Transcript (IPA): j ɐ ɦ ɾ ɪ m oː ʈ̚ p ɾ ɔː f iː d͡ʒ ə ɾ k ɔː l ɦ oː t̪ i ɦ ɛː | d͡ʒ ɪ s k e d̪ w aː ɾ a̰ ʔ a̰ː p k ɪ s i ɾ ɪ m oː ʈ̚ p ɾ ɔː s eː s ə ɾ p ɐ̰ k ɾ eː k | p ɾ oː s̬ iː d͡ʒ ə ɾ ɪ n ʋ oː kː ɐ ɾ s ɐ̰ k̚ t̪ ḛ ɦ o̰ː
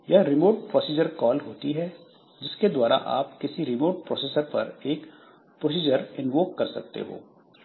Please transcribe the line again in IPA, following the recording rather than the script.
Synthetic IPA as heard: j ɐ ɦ ɾ ɪ m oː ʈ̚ p ɾ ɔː s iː d͡ʒ ə ɾ k ɔː l ɦ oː t̪ i ɦ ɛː | d͡ʒ ɪ s k e d̪ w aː ɾ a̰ ʔ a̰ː p k ɪ s i ɾ ɪ m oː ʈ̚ p ɾ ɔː s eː s ə ɾ p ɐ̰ ɾ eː k | p ɾ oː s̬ iː d͡ʒ ə ɾ ɪ n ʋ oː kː ɐ ɾ s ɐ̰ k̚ t̪ ḛ ɦ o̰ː